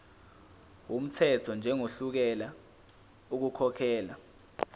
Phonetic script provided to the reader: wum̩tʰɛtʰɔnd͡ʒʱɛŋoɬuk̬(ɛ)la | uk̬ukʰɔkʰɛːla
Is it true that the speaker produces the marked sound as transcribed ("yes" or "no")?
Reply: yes